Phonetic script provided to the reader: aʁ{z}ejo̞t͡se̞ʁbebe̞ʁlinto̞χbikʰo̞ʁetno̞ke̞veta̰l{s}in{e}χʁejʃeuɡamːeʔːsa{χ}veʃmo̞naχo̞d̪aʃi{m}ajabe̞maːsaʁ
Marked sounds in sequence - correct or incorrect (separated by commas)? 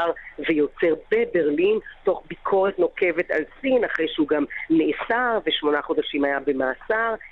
incorrect, correct, incorrect, incorrect, correct